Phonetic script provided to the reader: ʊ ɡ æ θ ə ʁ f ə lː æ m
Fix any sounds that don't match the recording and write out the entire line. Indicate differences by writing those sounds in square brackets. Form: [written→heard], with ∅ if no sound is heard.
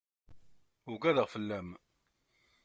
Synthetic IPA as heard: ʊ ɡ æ [θ→ð] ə ʁ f ə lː æ m